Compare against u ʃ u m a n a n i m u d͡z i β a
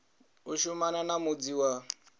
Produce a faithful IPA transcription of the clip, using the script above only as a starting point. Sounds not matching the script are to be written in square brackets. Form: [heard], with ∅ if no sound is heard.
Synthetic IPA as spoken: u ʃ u m a n a n [a] m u d͡z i [w] a